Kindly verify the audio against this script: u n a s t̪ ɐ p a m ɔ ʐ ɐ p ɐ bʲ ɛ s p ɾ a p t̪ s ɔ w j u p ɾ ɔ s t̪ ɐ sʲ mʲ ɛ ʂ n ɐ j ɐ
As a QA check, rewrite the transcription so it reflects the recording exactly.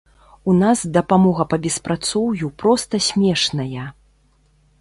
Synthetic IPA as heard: u n a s d̪ ɐ p a m ɔ ɣ ɐ p ɐ bʲ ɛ s p ɾ a t̪ s ɔ w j u p ɾ ɔ s t̪ ɐ sʲ mʲ ɛ ʂ n ɐ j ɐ

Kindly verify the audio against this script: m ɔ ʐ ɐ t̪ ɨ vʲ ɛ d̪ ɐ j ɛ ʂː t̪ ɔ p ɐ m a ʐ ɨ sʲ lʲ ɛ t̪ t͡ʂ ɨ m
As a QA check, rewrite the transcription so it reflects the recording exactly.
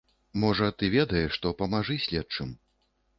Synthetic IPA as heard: m ɔ ʐ ɐ t̪ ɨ vʲ ɛ d̪ ɐ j ɛ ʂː t̪ ɔ p ɐ m a ʐ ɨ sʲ lʲ ɛ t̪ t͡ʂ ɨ m

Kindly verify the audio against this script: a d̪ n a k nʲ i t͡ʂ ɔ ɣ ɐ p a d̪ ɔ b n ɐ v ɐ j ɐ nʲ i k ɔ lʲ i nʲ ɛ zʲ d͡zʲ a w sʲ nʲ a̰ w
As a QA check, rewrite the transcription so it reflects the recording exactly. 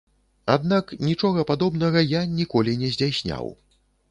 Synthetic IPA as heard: a d̪ n a k nʲ i t͡ʂ ɔ ɣ ɐ p a d̪ ɔ b n ɐ ɣ ɐ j a nʲ i k ɔ lʲ i nʲ ɛ zʲ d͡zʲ a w sʲ nʲ a̰ w

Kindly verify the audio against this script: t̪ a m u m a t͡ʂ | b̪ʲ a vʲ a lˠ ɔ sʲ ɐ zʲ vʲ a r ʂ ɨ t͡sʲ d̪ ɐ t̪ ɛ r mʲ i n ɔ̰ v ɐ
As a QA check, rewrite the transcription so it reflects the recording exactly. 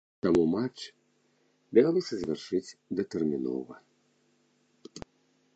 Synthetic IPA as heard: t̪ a m u m a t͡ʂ | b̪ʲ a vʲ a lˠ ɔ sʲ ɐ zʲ vʲ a r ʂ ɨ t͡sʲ d̪ ɐ t̪ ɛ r mʲ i n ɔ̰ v ɐ

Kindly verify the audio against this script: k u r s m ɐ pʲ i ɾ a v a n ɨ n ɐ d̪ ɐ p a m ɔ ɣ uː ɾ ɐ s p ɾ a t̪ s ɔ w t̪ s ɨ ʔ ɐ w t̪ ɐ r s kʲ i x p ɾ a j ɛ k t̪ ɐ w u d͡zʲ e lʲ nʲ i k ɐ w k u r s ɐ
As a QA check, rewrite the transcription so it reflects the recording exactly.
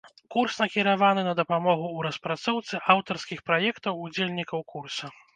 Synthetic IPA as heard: k u r s n ɐ kʲ i ɾ a v a n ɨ n ɐ d̪ ɐ p a m ɔ ɣ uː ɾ ɐ s p ɾ a t̪ s ɔ w t̪ s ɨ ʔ a w t̪ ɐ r s kʲ i x p ɾ a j ɛ k t̪ ɐ w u d͡zʲ e lʲ nʲ i k ɐ w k u r s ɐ

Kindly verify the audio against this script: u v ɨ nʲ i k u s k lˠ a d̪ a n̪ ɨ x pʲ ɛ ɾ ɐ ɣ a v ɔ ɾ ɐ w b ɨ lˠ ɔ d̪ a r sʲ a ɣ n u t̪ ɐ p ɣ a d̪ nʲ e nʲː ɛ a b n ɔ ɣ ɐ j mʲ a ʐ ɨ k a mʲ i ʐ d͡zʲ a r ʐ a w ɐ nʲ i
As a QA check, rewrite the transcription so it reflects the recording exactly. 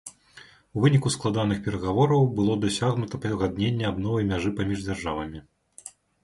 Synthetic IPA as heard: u v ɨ nʲ i k u s k lˠ a d̪ a n̪ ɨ x pʲ ɛ ɾ ɐ ɣ a v ɔ ɾ ɐ w b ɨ lˠ ɔ d̪ a sʲ a ɣ n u t̪ ɐ p ɣ a d̪ nʲ e nʲː ɛ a b n ɔ v ɐ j mʲ a ʐ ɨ p a mʲ i ʐ d͡zʲ a r ʐ a v ɐ mʲ i

